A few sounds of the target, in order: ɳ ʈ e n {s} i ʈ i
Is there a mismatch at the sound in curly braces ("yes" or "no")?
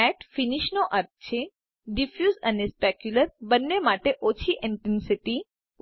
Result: no